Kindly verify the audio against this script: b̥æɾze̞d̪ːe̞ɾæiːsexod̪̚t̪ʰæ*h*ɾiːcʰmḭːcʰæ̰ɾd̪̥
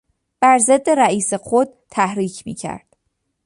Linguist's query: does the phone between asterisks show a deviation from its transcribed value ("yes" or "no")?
no